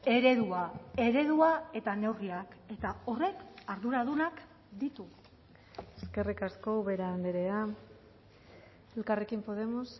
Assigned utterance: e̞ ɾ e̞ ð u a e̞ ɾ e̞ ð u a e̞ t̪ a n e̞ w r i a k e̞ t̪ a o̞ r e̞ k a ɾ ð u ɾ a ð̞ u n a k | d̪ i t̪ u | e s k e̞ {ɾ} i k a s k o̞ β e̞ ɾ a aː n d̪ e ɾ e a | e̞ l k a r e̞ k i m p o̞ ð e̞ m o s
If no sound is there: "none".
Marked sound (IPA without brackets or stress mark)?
r